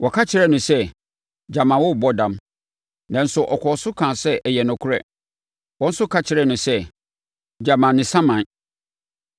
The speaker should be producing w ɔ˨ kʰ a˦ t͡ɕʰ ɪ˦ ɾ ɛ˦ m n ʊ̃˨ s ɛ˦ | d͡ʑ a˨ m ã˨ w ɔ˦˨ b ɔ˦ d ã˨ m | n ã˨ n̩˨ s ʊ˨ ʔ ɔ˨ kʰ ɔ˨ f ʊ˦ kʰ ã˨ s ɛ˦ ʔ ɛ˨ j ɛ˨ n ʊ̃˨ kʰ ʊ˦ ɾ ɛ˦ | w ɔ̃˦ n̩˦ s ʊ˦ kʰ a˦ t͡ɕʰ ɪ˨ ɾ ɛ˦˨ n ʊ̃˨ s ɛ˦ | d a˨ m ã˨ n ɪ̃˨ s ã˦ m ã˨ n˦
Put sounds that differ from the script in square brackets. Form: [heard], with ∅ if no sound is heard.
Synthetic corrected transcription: w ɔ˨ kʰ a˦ t͡ɕʰ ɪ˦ ɾ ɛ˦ [∅] n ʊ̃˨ s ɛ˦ | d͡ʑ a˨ m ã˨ w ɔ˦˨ b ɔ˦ d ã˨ m | n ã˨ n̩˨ s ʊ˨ ʔ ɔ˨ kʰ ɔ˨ [s] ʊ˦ kʰ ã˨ s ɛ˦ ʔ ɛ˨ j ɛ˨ n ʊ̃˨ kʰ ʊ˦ ɾ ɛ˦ | w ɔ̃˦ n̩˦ s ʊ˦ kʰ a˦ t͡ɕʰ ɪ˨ ɾ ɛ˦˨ n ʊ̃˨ s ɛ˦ | [d͡ʑ] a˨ m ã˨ n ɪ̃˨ s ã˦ m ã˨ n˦

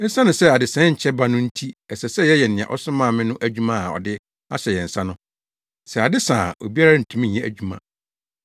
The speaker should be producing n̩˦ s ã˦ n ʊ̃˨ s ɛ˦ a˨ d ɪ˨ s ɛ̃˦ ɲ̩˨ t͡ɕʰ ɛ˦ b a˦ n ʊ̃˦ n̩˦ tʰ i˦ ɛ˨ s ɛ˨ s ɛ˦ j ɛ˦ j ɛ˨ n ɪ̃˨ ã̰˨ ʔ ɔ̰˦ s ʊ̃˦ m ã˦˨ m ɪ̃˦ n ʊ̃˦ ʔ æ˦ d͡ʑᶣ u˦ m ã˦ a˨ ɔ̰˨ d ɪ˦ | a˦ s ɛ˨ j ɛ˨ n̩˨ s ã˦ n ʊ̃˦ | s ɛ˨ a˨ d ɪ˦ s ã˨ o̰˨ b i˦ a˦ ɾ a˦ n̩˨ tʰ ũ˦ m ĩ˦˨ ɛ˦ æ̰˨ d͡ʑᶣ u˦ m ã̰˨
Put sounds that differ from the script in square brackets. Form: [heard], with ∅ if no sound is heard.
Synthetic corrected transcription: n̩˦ s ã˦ n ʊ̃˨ s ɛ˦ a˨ d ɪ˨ s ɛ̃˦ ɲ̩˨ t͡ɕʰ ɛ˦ b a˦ n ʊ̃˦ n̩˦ tʰ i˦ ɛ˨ s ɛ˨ s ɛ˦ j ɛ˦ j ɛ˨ n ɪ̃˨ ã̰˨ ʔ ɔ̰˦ s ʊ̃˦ m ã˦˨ m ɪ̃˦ n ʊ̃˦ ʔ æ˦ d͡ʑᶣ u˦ m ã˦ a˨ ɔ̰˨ d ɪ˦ | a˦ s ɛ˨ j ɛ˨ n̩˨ s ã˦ n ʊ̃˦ | s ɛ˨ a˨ d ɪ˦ s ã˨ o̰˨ b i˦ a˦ ɾ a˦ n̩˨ tʰ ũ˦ m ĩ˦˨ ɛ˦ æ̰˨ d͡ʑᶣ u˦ m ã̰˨

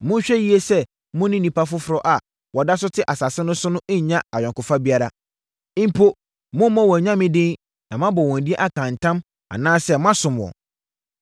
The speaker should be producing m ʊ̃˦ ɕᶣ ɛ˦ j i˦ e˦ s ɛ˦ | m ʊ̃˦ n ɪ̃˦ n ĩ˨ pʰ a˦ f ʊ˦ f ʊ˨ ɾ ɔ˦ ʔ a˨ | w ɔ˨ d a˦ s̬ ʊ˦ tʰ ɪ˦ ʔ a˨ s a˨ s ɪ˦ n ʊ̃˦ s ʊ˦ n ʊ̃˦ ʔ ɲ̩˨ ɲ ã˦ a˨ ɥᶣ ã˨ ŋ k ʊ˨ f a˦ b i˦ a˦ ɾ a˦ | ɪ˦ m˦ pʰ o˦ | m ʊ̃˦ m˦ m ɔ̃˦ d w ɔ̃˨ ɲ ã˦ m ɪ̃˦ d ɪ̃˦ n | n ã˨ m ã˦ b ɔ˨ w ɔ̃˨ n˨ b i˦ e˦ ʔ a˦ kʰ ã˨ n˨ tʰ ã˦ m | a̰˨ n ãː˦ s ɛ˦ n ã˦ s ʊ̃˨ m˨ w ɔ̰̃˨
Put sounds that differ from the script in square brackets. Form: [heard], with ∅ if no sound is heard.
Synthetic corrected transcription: m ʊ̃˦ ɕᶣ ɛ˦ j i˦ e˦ s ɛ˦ | m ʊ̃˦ n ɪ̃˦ n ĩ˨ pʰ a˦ f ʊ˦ f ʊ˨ ɾ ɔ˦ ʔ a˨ | w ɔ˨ d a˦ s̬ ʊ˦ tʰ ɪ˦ ʔ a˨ s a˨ s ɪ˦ n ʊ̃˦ s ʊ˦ n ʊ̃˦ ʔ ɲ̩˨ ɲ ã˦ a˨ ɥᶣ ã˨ ŋ k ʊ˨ f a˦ b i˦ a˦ ɾ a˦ | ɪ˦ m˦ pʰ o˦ | m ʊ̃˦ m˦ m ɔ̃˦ [∅] w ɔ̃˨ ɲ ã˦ m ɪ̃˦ d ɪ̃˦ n | n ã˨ m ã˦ b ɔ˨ w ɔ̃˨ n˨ [d] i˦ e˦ ʔ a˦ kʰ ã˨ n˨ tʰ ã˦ m | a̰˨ n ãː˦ s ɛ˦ [m] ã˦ s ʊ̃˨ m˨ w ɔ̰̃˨

